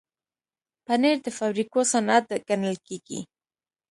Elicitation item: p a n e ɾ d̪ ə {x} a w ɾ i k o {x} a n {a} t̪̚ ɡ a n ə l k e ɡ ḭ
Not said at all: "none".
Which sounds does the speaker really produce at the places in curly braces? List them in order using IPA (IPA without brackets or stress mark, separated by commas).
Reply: f, s, a